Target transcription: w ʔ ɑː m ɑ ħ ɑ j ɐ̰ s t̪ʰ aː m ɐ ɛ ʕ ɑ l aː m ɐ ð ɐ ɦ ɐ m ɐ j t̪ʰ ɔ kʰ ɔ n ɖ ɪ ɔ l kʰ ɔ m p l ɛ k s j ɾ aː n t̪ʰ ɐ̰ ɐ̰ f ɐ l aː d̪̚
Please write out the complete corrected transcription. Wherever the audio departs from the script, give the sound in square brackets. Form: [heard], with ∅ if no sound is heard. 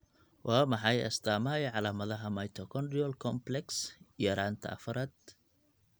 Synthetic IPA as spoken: w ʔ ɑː m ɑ ħ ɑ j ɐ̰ s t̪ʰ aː m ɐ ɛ ʕ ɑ l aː m ɐ ð ɐ ɦ ɐ m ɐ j t̪ʰ ɔ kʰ ɔ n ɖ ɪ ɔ l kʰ ɔ m p l ɛ k s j ɾ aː n t̪ʰ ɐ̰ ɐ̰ f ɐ [ɾ] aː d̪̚